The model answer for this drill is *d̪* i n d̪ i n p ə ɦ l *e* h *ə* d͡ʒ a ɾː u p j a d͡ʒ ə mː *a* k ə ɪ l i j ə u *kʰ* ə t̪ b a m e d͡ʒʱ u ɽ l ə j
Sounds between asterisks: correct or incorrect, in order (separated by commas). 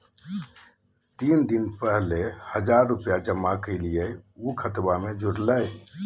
incorrect, correct, correct, correct, correct